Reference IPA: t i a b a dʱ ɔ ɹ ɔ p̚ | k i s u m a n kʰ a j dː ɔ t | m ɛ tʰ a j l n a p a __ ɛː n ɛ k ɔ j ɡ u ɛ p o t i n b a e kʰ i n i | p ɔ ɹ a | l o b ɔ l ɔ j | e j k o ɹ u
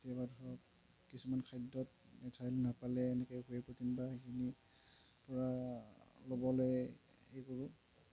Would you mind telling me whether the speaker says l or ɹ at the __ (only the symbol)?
l